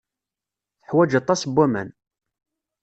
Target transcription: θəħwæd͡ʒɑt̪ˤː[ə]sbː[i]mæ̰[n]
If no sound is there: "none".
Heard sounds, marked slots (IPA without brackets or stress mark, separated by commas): ɑ, æ, n